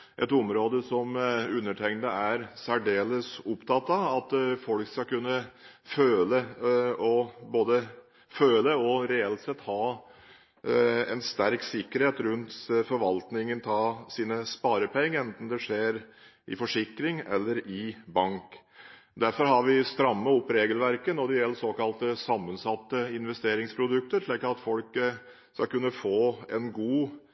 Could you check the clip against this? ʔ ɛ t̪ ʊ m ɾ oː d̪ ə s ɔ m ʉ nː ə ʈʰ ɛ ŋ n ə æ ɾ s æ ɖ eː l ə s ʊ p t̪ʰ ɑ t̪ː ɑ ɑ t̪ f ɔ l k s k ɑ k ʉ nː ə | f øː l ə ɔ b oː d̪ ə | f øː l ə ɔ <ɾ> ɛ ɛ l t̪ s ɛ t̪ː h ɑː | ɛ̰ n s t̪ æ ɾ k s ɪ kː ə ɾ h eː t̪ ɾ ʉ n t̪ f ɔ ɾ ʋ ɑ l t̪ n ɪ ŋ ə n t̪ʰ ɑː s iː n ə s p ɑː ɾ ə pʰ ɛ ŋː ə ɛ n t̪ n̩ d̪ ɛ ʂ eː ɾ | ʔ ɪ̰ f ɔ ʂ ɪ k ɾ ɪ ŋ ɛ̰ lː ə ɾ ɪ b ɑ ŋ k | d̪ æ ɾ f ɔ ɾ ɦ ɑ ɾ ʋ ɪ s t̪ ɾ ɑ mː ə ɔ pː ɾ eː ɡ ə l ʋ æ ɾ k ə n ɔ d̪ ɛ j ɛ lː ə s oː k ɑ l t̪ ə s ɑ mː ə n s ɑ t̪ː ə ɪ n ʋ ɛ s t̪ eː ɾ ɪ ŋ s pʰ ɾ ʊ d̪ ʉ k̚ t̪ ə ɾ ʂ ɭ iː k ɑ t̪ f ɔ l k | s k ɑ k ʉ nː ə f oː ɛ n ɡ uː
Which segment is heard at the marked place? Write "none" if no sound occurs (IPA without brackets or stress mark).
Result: ɾ